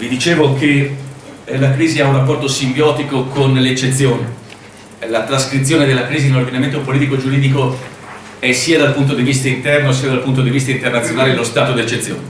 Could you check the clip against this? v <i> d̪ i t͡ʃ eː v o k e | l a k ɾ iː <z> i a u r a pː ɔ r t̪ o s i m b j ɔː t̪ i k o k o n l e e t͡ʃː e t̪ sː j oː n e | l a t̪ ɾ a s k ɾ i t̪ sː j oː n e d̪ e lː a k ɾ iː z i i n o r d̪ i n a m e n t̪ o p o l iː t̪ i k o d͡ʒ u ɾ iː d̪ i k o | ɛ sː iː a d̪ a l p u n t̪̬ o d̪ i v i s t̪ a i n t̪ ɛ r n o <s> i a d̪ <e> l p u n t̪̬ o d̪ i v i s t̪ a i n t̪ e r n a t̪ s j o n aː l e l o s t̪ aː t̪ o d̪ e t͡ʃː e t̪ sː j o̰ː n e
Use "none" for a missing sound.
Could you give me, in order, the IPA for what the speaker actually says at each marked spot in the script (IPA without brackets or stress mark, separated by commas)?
i, z, s, a